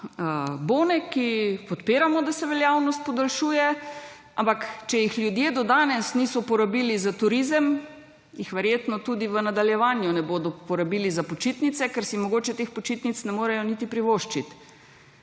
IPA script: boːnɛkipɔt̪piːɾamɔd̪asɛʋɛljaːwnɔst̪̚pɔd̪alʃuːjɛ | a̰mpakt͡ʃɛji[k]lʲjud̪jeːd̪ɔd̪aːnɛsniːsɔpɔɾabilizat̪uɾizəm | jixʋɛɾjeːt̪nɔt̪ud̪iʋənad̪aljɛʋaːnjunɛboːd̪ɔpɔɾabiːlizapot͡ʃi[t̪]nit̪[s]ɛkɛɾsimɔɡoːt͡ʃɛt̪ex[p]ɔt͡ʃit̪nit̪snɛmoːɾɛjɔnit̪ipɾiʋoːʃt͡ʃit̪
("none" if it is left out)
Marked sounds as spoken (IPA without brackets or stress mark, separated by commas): x, t̪, s, p